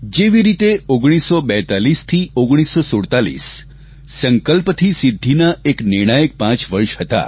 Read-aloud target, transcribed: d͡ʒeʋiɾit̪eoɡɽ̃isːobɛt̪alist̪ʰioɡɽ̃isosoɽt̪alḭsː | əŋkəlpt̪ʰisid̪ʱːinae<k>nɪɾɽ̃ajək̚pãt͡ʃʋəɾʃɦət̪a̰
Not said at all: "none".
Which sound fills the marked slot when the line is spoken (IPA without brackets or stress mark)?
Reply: k